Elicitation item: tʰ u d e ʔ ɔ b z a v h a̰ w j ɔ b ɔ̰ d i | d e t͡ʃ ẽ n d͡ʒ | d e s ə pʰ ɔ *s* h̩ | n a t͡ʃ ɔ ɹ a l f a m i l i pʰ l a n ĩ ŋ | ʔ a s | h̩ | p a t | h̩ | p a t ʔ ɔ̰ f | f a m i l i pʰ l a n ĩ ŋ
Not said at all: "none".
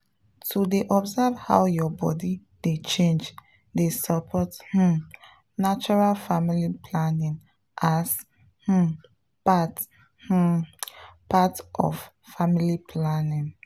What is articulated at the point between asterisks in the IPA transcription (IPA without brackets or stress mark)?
t